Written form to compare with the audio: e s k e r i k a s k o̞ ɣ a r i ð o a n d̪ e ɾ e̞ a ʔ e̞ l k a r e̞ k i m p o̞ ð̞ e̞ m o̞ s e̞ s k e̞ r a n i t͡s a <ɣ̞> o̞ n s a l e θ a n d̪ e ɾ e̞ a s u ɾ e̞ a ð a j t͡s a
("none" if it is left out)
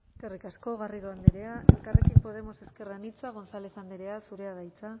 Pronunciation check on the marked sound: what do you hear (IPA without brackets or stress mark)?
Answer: ɣ̞